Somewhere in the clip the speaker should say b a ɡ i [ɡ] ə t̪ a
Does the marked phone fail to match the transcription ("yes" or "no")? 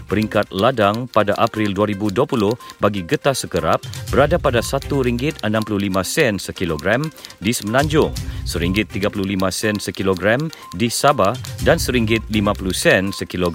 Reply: no